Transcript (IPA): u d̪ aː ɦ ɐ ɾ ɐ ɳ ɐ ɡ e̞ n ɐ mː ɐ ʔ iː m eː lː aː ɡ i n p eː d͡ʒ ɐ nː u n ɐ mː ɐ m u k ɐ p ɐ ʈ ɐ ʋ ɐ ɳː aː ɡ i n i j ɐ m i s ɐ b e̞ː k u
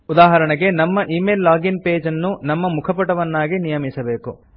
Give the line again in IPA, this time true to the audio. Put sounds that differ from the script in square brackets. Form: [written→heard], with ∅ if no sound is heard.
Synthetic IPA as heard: u d̪ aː ɦ ɐ ɾ ɐ ɳ ɐ ɡ e̞ n ɐ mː ɐ ʔ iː m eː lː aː ɡ i n p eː d͡ʒ ɐ nː u n ɐ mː ɐ m u [k→kʰ] ɐ p ɐ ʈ ɐ ʋ ɐ [ɳː→nː] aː ɡ i n i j ɐ m i s ɐ b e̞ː k u